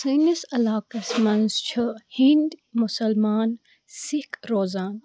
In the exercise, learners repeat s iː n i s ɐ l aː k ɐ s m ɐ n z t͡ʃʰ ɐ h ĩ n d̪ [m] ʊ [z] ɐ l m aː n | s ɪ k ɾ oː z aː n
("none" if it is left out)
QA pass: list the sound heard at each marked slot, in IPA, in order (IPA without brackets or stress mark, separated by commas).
m, s